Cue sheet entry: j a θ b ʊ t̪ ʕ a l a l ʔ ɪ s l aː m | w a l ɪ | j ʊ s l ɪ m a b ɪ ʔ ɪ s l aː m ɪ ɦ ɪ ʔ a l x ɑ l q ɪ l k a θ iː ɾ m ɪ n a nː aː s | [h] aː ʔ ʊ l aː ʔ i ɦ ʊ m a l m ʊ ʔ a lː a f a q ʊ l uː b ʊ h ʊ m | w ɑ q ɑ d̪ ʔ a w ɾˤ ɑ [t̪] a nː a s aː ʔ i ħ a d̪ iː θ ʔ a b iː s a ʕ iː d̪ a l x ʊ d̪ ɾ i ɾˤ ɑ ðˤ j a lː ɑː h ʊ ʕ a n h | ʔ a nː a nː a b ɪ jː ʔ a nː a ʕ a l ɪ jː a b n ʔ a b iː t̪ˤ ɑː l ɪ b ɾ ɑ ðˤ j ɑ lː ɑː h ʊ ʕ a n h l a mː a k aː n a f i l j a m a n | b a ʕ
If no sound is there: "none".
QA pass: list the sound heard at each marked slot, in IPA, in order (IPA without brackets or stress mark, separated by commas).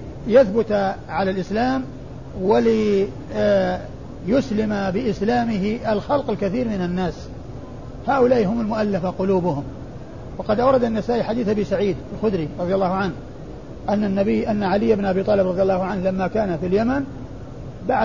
h, d̪